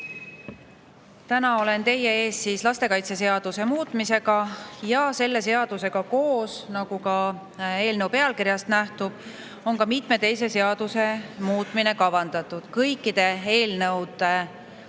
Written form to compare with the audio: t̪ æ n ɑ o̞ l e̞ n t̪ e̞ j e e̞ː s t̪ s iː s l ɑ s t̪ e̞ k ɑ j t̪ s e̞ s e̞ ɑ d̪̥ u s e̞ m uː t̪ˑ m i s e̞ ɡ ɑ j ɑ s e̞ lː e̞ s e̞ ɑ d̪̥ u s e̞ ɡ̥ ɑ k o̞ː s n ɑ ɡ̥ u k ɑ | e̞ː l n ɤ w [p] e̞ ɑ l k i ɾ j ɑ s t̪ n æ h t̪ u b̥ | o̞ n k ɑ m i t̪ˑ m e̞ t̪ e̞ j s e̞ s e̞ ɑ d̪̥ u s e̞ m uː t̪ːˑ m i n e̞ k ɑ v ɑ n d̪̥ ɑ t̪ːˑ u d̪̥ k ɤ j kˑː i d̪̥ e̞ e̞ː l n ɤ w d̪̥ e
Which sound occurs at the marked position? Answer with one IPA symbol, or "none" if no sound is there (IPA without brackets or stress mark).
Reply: p